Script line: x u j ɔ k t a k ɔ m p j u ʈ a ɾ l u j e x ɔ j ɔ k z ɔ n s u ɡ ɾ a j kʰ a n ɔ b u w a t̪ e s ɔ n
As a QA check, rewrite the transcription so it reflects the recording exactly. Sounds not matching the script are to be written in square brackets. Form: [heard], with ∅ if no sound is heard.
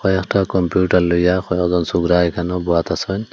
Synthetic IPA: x [ɔ] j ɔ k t a k ɔ m p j u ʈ a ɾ l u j [a] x ɔ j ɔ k z ɔ n s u ɡ ɾ a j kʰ a n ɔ b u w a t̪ [a] s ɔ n